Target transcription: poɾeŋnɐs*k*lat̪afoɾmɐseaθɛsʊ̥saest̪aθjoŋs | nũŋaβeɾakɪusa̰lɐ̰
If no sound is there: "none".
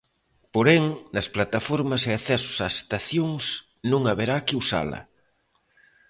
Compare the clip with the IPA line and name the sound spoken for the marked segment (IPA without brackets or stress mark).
p